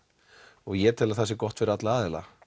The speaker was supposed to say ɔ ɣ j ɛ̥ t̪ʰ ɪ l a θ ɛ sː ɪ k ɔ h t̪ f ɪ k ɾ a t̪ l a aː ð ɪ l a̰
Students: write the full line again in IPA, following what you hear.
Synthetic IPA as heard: ɔ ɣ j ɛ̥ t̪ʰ ɪ l a θ ɛ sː ɪ k ɔ h t̪ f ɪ ɾ a t̪ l a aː ð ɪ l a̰